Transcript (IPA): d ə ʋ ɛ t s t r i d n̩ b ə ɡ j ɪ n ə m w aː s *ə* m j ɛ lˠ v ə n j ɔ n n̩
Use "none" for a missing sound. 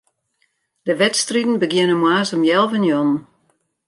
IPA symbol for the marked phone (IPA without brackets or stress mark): ə